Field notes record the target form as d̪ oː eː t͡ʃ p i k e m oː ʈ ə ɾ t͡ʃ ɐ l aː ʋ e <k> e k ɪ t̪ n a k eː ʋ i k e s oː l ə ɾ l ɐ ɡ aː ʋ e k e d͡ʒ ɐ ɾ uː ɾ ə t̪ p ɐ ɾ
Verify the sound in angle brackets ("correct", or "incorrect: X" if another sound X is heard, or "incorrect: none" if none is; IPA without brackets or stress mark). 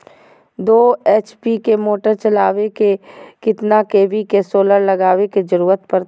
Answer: correct